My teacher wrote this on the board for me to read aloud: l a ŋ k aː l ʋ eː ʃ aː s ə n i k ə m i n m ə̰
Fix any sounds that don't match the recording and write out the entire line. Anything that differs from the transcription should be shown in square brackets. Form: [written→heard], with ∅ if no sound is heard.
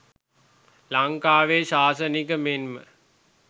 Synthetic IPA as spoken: l a ŋ k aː [l→∅] ʋ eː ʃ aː s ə n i k ə m [i→e] n m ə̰